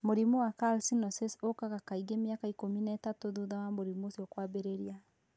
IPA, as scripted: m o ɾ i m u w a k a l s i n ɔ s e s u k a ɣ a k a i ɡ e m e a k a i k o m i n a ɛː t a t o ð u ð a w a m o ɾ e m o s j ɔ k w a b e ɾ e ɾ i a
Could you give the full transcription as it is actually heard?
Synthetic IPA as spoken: m o ɾ i m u w a k a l s i n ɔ s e s o k a ɣ a k a i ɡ e m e a k a i k o m i n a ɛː t a t o ð u ð a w a m o ɾ i m o s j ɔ k w a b e ɾ e ɾ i a